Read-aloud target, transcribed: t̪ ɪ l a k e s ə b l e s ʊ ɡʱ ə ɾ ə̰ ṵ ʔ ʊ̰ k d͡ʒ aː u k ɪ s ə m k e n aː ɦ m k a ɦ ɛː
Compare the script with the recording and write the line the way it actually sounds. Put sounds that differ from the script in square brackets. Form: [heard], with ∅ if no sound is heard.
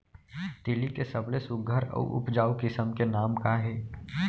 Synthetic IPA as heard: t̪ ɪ l [i] k e s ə b l e s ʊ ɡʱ ə ɾ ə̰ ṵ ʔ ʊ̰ [p] d͡ʒ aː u k ɪ s ə m k e n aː [∅] m k a ɦ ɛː

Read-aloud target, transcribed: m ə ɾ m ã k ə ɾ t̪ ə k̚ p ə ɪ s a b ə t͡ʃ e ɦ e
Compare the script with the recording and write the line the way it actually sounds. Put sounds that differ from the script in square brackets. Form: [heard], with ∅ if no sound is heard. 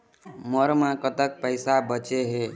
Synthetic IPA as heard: m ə ɾ m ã k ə [∅] t̪ ə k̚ p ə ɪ s a b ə t͡ʃ e ɦ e

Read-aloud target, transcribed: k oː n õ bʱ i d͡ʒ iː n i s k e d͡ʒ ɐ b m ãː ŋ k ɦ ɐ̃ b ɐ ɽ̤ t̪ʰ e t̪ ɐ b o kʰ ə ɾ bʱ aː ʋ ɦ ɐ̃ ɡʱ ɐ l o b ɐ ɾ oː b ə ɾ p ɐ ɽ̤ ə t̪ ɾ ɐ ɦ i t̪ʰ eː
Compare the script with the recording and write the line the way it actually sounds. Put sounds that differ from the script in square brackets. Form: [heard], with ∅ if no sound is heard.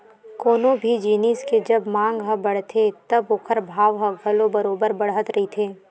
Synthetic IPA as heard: k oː n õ bʱ i d͡ʒ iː n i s k e d͡ʒ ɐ b m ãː ŋ [ɡ] ɦ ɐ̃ b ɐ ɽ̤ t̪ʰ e t̪ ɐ b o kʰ ə ɾ bʱ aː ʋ ɦ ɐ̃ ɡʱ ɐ l o b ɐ ɾ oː b ə ɾ [b] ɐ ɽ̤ ə t̪ ɾ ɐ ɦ i t̪ʰ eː

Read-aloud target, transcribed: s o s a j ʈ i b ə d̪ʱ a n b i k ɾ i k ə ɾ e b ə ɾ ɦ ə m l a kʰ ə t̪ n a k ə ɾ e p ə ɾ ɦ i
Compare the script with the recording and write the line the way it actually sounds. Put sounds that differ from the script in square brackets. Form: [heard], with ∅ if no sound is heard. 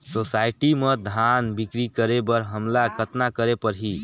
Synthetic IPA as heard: s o s a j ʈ i [m] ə d̪ʱ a n b i k ɾ i k ə ɾ e b ə ɾ ɦ ə m l a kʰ ə t̪ n a k ə ɾ e p ə ɾ ɦ i

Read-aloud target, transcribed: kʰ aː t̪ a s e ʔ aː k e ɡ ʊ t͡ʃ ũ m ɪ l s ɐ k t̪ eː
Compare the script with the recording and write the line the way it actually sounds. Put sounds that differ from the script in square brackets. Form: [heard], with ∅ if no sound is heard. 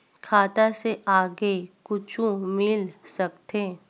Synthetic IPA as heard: kʰ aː t̪ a s e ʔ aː [ɡ] e [k] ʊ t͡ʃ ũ m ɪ l s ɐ k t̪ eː

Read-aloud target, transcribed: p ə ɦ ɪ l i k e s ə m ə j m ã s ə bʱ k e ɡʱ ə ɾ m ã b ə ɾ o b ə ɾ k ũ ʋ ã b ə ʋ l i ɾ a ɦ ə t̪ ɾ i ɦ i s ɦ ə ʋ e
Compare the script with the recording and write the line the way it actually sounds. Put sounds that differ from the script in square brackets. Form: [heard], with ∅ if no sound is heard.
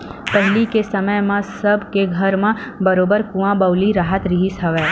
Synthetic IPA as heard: p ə ɦ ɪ l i k e s ə m ə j m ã s ə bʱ k e ɡʱ ə ɾ m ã b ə ɾ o b ə ɾ k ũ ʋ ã b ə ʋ l i ɾ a ɦ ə t̪ ɾ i ɦ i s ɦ ə ʋ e

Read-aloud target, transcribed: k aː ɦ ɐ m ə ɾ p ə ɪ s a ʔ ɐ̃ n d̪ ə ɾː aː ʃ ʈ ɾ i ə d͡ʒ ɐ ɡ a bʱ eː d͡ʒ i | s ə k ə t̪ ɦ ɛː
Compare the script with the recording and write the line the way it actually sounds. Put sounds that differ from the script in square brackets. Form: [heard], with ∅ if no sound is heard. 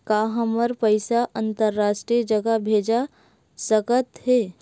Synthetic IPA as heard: k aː ɦ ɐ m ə ɾ p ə ɪ s a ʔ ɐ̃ n [t̪] ə ɾː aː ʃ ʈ ɾ i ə d͡ʒ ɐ ɡ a bʱ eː d͡ʒ [a] | s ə k ə t̪ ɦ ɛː

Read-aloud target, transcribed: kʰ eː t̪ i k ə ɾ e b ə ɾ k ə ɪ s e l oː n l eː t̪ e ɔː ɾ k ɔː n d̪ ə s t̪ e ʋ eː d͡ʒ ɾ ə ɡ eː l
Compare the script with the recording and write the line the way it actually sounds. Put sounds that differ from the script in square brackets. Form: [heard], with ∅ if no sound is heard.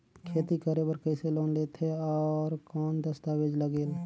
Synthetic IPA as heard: kʰ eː t̪ i k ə ɾ e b ə ɾ k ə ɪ s e l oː n l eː t̪ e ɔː ɾ k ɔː n d̪ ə s t̪ [a] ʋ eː d͡ʒ [l] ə ɡ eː l

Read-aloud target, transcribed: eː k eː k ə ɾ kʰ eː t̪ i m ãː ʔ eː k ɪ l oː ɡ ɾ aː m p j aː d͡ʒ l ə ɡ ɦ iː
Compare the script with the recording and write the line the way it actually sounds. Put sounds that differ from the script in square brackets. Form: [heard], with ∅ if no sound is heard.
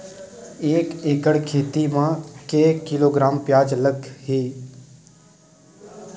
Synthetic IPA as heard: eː k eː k ə [ɽ] kʰ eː t̪ i m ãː [k] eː k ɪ l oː ɡ ɾ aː m p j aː d͡ʒ l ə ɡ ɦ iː

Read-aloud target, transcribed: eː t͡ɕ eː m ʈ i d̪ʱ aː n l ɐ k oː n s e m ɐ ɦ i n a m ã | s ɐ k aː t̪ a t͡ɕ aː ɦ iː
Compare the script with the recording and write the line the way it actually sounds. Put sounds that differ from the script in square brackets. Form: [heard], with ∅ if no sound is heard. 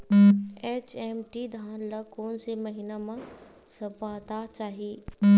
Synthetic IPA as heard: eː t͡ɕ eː m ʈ i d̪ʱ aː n l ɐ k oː n s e m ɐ ɦ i n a m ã | s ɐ [p] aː t̪ a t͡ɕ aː ɦ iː

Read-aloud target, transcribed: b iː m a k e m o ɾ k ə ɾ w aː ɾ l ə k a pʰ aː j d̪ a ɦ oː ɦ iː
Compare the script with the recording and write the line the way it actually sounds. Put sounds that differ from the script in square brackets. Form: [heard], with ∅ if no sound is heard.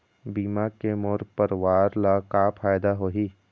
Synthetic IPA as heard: b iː m a k e m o ɾ [p] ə ɾ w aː ɾ l [a] k a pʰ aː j d̪ a ɦ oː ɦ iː

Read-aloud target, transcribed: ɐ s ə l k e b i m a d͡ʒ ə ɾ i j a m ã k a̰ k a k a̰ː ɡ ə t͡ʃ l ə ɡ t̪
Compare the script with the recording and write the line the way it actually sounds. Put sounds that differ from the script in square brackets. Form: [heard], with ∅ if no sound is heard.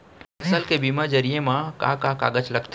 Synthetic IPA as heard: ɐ s ə l k e b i m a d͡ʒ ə ɾ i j [e] m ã k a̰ k a k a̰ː ɡ ə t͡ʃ l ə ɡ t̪

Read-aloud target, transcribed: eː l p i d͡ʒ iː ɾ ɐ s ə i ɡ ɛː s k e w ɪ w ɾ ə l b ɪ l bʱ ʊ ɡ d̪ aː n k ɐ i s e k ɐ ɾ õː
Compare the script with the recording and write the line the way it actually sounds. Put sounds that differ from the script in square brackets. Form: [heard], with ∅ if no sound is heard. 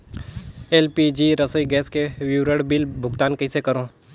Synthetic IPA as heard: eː l p i d͡ʒ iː ɾ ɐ s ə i ɡ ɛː s k e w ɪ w ɾ ə [ɽ] b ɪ l bʱ ʊ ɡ [t̪] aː n k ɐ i s e k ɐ ɾ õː

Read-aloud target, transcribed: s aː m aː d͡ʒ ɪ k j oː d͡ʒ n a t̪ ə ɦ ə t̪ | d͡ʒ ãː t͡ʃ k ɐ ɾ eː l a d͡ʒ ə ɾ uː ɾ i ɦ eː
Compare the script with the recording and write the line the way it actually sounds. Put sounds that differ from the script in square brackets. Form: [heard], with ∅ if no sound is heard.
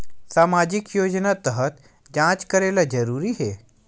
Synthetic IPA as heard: s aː m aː d͡ʒ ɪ k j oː d͡ʒ n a t̪ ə ɦ ə t̪ | d͡ʒ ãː t͡ʃ k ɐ ɾ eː l a d͡ʒ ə ɾ uː ɾ i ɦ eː

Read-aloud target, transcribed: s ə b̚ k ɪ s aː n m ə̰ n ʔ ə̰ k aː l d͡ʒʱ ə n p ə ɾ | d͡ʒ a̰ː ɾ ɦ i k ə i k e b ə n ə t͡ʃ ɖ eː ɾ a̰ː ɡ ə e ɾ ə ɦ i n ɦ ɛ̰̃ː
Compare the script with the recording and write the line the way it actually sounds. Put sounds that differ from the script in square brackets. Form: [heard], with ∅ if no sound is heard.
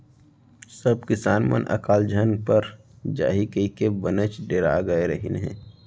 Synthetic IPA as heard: s ə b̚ k ɪ s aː n m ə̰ n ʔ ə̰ k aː l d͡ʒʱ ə n p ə ɾ | d͡ʒ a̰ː [∅] ɦ i k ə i k e b ə n ə t͡ʃ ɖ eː ɾ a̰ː ɡ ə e ɾ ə ɦ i n ɦ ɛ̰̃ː

